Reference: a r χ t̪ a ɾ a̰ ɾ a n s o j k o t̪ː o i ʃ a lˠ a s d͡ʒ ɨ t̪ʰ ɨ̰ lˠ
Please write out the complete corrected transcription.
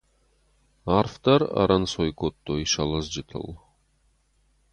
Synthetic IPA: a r f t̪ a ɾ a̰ ɾ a n s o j k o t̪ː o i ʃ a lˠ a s d͡ʒ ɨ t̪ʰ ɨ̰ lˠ